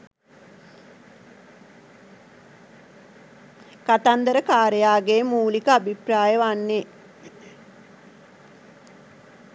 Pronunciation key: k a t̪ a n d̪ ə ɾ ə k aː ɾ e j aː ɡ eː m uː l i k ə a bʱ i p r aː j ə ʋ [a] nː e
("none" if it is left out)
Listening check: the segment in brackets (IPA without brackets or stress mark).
a